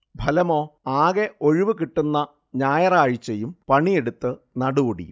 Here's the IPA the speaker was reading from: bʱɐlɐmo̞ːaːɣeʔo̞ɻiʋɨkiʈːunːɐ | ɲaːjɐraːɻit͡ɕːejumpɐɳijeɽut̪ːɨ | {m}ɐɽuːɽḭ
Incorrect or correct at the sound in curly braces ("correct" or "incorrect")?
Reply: incorrect